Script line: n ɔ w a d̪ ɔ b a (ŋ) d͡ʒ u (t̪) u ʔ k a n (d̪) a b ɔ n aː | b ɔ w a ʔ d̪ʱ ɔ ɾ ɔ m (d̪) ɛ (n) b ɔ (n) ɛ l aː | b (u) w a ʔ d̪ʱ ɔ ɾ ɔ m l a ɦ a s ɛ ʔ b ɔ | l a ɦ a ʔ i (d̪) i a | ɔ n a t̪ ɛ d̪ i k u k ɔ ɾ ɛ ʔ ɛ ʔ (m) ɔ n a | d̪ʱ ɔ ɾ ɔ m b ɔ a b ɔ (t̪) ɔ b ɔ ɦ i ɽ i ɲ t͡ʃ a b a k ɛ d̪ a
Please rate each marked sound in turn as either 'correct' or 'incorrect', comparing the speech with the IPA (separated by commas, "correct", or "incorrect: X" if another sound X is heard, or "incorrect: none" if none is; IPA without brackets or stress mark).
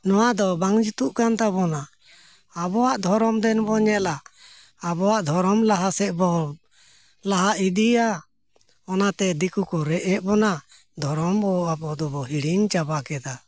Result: correct, correct, incorrect: t̪, correct, correct, incorrect: ɲ, incorrect: ɔ, correct, incorrect: b, incorrect: d̪